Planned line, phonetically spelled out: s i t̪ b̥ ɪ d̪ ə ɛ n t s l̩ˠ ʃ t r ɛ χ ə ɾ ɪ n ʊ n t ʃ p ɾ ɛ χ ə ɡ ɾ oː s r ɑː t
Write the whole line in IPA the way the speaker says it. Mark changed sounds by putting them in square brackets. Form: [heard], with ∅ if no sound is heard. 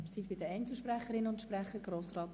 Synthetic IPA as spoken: s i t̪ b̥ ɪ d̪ ə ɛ n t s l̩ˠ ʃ [p] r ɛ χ ə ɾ ɪ n ʊ n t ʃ p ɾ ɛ χ ə ɡ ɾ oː s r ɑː t